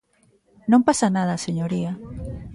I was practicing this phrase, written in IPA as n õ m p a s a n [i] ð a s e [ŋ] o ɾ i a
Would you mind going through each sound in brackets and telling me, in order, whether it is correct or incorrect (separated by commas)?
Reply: incorrect, incorrect